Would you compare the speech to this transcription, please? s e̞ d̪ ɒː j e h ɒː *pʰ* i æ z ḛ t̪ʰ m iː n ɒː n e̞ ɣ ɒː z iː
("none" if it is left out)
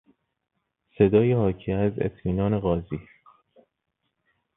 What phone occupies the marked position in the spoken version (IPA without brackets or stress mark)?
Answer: cʰ